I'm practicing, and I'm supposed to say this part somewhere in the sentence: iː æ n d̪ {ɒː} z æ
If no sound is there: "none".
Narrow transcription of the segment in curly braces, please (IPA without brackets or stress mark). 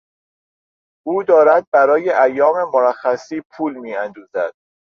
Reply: uː